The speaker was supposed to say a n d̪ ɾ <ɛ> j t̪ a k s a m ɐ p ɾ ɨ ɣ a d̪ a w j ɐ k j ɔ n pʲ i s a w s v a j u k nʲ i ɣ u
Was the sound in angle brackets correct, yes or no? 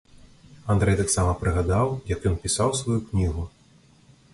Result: yes